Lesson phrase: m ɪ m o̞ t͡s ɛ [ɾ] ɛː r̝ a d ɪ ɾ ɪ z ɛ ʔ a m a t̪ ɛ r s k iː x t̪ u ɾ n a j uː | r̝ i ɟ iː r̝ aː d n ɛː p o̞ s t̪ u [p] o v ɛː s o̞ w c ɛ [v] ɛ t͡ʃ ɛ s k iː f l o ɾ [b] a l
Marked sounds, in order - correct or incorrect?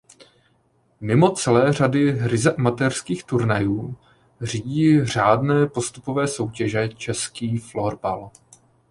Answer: incorrect, correct, incorrect, correct

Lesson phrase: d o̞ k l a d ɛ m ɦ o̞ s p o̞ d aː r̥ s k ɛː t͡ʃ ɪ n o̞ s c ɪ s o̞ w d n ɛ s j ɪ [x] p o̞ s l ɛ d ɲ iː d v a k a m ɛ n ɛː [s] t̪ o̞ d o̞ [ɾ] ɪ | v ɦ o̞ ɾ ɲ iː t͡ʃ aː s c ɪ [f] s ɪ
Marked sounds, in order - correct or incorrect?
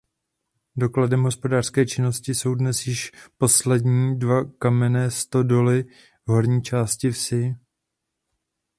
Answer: incorrect, correct, incorrect, correct

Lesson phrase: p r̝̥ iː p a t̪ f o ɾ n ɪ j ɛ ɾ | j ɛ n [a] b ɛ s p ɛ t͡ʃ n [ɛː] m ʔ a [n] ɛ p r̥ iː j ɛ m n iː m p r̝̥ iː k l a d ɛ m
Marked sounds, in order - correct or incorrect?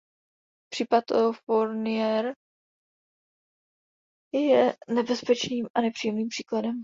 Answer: incorrect, incorrect, correct

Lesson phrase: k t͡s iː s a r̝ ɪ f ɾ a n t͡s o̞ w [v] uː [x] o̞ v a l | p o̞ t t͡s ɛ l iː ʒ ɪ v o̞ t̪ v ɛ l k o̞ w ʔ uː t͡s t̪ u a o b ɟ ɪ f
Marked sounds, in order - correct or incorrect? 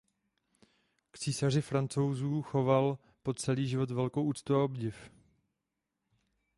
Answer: incorrect, correct

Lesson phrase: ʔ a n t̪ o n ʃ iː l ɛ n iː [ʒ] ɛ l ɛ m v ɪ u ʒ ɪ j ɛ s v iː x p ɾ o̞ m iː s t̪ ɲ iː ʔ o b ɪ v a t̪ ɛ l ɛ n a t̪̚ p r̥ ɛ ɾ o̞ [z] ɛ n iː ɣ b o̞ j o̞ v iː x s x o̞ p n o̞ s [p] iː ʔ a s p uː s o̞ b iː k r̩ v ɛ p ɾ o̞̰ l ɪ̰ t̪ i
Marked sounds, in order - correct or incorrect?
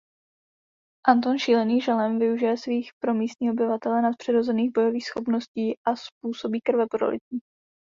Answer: correct, correct, incorrect

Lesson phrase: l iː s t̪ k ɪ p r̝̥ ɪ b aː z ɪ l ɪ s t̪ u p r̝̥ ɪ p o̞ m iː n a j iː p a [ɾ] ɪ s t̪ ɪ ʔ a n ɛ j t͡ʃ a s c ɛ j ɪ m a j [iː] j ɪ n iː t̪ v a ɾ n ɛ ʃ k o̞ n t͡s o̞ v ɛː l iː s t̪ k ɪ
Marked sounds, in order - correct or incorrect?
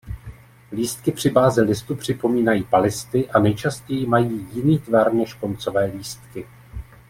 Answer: incorrect, correct

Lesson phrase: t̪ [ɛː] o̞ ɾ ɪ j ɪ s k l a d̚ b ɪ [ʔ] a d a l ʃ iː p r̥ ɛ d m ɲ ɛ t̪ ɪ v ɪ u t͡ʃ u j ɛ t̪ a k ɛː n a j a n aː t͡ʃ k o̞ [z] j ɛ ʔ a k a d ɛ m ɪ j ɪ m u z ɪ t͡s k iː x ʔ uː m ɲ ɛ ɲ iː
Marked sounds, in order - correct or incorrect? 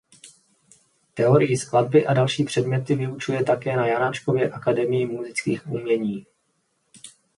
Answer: incorrect, correct, incorrect

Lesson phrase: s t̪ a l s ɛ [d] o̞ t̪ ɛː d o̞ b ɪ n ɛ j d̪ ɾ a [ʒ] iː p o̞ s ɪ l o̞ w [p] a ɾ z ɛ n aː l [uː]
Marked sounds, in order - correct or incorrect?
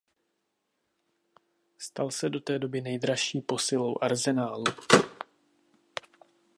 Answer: correct, incorrect, incorrect, incorrect

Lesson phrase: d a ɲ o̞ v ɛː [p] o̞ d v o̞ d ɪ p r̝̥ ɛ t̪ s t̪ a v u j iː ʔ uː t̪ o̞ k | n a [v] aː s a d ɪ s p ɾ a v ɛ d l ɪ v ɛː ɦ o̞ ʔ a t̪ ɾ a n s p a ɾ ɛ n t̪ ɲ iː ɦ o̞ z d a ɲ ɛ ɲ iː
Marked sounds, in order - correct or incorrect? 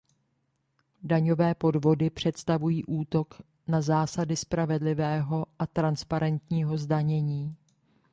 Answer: correct, incorrect

